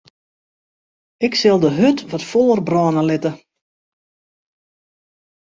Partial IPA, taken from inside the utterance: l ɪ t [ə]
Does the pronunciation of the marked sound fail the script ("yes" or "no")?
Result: no